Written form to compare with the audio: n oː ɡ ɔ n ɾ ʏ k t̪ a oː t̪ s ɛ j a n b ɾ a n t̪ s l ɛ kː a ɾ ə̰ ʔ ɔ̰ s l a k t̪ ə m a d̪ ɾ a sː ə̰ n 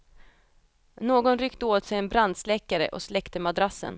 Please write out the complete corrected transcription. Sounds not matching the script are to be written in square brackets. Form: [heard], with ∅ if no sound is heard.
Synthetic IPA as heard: n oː ɡ ɔ n ɾ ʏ k t̪ [ə] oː t̪ s ɛ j [ɛ] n b ɾ a n [d̪] s l ɛ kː a ɾ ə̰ ʔ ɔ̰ s l [ɛ] k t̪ ə m a d̪ ɾ a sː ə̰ n